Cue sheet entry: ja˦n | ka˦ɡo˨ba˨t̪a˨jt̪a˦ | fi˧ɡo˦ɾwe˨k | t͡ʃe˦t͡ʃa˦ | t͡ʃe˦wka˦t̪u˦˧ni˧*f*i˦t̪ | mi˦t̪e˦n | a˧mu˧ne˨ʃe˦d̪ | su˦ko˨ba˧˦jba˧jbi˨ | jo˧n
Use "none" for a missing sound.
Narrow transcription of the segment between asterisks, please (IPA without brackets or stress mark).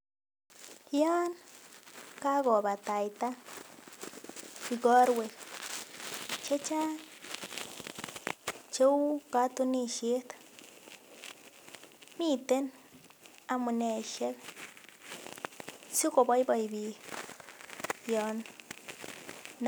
ʃ